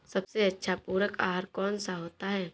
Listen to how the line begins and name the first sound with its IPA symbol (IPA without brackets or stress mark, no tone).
s